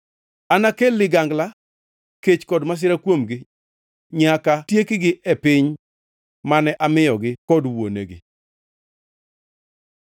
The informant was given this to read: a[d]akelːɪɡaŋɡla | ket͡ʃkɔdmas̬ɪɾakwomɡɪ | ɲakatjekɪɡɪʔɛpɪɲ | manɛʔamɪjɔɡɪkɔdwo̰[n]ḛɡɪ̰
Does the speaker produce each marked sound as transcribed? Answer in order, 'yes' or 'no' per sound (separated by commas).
no, yes